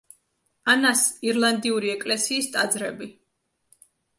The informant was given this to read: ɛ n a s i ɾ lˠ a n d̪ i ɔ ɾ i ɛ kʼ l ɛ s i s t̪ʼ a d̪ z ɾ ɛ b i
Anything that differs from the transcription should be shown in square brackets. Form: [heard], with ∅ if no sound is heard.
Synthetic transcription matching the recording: [a] n a s i ɾ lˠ a n d̪ i [u] ɾ i ɛ kʼ l ɛ s [iː] s t̪ʼ a d̪ z ɾ ɛ b i